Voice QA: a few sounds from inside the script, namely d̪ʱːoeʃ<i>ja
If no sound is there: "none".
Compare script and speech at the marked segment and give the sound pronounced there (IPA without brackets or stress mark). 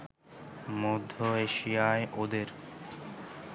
i